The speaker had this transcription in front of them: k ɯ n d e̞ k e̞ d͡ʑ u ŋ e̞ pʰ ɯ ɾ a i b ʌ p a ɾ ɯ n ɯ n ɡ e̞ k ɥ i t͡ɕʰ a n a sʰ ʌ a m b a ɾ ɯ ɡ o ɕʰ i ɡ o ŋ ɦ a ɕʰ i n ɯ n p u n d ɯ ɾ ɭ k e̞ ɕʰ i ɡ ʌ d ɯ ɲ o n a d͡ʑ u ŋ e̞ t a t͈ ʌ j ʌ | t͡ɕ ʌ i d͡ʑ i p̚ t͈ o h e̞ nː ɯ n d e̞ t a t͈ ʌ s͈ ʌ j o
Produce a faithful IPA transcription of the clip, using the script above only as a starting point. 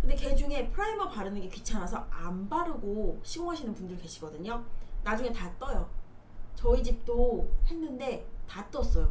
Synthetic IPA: k ɯ n d e̞ k e̞ d͡ʑ u ŋ e̞ pʰ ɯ ɾ a i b ʌ p a ɾ ɯ n ɯ n ɡ e̞ k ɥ i t͡ɕʰ a n a sʰ ʌ a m b a ɾ ɯ ɡ o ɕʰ i ɡ o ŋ ɦ a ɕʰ i n ɯ n p u n d ɯ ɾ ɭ k e̞ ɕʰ i ɡ ʌ d ɯ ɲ o n a d͡ʑ u ŋ e̞ t a t͈ ʌ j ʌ | t͡ɕ ʌ i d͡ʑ i p̚ t͈ o h e̞ nː ɯ n d e̞ t a t͈ ʌ s͈ ʌ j o

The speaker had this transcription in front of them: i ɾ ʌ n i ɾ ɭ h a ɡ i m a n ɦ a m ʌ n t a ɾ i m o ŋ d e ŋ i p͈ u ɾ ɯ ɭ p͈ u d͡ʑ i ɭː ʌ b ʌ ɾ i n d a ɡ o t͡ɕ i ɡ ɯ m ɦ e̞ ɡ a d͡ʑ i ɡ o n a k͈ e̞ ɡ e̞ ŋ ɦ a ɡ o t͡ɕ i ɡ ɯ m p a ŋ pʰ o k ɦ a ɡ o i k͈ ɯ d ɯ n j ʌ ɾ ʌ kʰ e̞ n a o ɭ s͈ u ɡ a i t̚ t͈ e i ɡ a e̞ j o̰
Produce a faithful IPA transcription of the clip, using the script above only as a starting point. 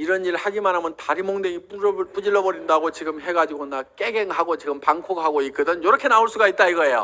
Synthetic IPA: i ɾ ʌ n i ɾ ɭ h a ɡ i m a n ɦ a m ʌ n t a ɾ i m o ŋ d e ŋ i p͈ u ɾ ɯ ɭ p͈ u d͡ʑ i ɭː ʌ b ʌ ɾ i n d a ɡ o t͡ɕ i ɡ ɯ m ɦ e̞ ɡ a d͡ʑ i ɡ o n a k͈ e̞ ɡ e̞ ŋ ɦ a ɡ o t͡ɕ i ɡ ɯ m p a ŋ kʰ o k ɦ a ɡ o i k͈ ɯ d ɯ n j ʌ ɾ ʌ kʰ e̞ n a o ɭ s͈ u ɡ a i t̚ t͈ a i ɡ ʌ e̞ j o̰

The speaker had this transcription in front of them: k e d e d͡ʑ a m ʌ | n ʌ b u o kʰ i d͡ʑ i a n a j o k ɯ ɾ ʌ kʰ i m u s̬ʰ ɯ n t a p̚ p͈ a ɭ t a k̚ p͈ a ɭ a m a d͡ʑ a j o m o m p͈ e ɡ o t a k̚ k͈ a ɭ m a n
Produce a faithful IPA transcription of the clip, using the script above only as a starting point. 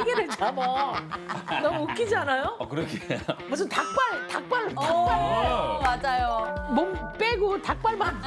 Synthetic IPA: ɡ e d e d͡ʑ a m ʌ | n ʌ m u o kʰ i d͡ʑ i a n a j o k ɯ ɾ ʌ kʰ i m u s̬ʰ ɯ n t a k̚ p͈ a ɭ t a k̚ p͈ a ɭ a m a d͡ʑ a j o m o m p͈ e ɡ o t a k̚ p͈ a ɭ m a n

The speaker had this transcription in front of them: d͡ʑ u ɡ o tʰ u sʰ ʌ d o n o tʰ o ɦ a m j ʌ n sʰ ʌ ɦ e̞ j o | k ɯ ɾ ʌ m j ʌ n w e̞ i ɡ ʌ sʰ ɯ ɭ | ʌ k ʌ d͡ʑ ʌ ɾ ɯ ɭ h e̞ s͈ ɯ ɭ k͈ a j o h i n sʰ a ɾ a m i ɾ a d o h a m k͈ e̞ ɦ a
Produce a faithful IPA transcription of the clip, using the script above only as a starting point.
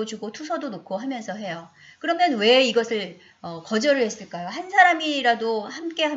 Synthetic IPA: d͡ʑ u ɡ o tʰ u sʰ ʌ d o n o kʰ o ɦ a m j ʌ n sʰ ʌ ɦ e̞ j o | k ɯ ɾ ʌ m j ʌ n w e̞ i ɡ ʌ sʰ ɯ ɭ | ʌ k ʌ d͡ʑ ʌ ɾ ɯ ɭ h e̞ s͈ ɯ ɭ k͈ a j o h a n sʰ a ɾ a m i ɾ a d o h a m k͈ e̞ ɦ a

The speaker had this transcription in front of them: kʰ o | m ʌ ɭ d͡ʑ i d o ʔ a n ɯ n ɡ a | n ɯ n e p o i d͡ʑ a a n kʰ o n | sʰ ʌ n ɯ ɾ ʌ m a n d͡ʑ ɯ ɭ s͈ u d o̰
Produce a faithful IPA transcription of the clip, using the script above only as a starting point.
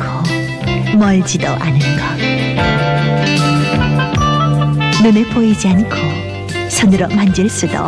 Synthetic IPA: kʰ o | m ʌ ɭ d͡ʑ i d o ʔ a n ɯ n ɡ ʌ | n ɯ n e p o i d͡ʑ i a n kʰ o | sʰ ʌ n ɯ ɾ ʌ m a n d͡ʑ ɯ ɭ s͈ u d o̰

